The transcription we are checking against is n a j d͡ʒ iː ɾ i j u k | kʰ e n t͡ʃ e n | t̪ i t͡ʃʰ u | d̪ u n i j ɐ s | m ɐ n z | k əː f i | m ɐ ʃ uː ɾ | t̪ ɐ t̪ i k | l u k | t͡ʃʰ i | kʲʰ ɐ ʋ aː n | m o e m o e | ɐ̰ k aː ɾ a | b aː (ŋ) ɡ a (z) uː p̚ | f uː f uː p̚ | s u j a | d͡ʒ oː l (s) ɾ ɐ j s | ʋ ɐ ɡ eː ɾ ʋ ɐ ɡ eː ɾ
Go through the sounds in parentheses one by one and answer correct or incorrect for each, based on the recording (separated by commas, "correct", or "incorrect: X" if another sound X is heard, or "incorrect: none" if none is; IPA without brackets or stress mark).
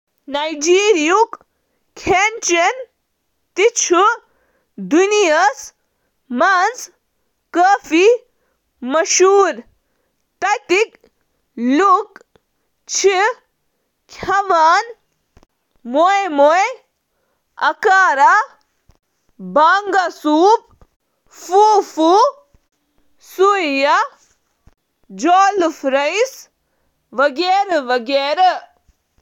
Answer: correct, incorrect: s, incorrect: f